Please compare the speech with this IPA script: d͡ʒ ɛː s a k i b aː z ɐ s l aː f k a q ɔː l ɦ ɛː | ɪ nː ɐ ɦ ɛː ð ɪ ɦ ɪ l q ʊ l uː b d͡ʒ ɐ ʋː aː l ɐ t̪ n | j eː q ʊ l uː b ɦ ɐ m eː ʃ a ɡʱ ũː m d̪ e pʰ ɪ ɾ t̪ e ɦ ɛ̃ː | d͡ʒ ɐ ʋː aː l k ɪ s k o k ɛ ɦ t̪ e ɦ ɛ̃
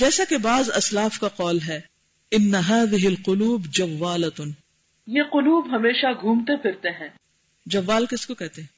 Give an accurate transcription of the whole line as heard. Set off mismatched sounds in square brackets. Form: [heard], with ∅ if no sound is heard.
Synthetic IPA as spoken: d͡ʒ ɛː s a k [e] b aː z ɐ s l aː f k a q ɔː l ɦ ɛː | ɪ nː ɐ ɦ [aː] ð ɪ ɦ ɪ l q ʊ l uː b d͡ʒ ɐ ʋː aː l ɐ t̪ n | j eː q ʊ l uː b ɦ ɐ m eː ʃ a ɡʱ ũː m [t̪] e pʰ ɪ ɾ t̪ e ɦ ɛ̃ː | d͡ʒ ɐ ʋː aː l k ɪ s k o k ɛ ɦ t̪ e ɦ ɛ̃